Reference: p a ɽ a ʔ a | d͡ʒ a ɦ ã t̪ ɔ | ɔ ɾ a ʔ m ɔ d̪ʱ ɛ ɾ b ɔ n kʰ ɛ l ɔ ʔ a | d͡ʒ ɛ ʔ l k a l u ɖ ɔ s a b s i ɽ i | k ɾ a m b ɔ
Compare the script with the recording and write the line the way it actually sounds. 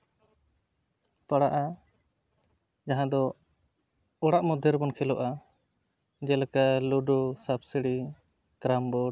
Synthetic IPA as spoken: p a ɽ a ʔ a | d͡ʒ a ɦ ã d̪ ɔ | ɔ ɽ a ʔ m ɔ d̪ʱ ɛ ɾ b ɔ n kʰ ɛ l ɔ ʔ a | d͡ʒ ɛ l k a l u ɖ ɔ s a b s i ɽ i | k ɾ a m b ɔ